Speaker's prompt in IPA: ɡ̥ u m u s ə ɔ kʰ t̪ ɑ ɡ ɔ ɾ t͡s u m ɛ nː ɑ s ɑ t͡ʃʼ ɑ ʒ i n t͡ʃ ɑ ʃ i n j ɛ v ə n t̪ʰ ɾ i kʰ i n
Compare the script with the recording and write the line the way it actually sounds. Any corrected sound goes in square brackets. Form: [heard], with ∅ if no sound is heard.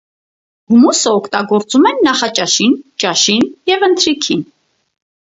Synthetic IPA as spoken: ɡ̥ u m u s ə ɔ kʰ t̪ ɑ ɡ ɔ ɾ t͡s u m ɛ nː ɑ [χ] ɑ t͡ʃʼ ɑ [ʃ] i n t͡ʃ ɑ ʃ i n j ɛ v ə n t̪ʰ ɾ i kʰ i n